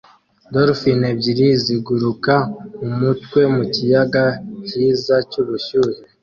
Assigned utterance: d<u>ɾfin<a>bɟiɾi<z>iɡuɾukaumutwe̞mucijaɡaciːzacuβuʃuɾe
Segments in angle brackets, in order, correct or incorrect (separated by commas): incorrect, incorrect, correct